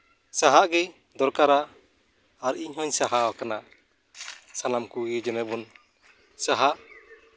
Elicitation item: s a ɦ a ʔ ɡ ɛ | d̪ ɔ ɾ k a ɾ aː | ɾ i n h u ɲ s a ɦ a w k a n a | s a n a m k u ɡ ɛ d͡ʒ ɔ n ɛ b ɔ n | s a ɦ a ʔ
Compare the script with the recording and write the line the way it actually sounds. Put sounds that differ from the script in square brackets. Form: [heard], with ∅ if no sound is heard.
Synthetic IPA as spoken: s a ɦ a ʔ ɡ ɛ | d̪ ɔ ɾ k a ɾ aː | ɾ i [ɲ] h [ɔ] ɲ s a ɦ a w k a n a | s a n a m k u ɡ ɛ d͡ʒ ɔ n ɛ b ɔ n | s a ɦ a ʔ